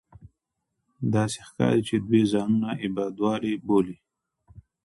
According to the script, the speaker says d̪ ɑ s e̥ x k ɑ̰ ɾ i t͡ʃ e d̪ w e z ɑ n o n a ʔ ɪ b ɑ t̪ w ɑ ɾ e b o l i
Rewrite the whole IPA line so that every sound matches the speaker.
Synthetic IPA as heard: d̪ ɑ s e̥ x k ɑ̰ ɾ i t͡ʃ e d̪ w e z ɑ n u n a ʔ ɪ b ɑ d̪ w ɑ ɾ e b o l i